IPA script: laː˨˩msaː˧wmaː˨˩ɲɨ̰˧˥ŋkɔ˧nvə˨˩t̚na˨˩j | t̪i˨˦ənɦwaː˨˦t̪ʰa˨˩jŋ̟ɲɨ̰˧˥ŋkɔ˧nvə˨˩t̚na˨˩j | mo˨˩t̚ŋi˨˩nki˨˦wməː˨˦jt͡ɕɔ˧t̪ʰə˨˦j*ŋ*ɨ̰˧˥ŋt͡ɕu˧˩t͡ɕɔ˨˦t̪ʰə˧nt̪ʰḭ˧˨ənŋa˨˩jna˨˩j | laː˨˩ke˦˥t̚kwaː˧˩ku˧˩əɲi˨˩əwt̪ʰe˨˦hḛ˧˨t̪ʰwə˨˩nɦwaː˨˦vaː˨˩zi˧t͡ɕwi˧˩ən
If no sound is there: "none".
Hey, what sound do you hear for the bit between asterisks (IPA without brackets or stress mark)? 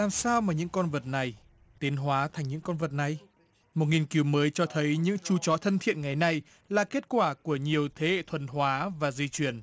ɲ